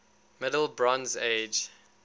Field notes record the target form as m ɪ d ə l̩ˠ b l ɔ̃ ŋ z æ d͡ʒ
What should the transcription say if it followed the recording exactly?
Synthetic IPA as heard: m ɪ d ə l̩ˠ b ɹ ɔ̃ n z e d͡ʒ